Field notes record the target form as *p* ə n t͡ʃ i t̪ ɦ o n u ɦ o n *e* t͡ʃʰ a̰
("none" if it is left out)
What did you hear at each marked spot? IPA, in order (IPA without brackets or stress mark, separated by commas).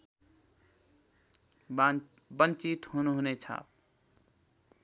b, e